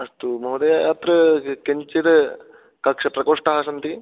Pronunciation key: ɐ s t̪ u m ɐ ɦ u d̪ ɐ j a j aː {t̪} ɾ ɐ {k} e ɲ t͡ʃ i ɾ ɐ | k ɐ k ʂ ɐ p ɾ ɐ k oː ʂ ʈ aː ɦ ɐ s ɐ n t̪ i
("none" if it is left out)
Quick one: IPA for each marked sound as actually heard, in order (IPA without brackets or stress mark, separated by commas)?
t̪, k